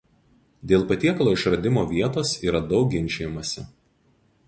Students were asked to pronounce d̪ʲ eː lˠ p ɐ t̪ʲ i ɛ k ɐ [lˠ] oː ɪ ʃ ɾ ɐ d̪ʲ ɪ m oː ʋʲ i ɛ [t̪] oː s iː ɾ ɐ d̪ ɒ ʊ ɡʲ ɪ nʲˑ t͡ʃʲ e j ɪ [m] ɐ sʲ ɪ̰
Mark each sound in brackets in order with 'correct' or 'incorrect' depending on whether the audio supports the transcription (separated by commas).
correct, correct, correct